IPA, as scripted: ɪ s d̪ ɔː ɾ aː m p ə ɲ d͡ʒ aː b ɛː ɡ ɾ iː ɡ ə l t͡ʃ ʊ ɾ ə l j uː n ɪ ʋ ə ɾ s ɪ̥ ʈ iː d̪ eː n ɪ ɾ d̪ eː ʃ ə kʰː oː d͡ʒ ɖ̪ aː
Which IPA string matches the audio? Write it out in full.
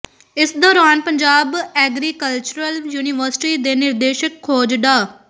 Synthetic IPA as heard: ɪ s d̪ ɔː ɾ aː n p ə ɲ d͡ʒ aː b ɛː ɡ ɾ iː k ə l t͡ʃ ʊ ɾ ə l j uː n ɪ ʋ ə ɾ s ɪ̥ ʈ iː d̪ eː n ɪ ɾ d̪ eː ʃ ə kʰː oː d͡ʒ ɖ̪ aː